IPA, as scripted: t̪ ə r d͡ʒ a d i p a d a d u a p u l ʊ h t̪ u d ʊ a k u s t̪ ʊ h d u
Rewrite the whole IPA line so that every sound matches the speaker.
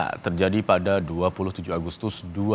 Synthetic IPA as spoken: t̪ ə r d͡ʒ a d i p a d a d u a p u l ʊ h t̪ u d͡ʒ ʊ a ɡ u s t̪ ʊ s d u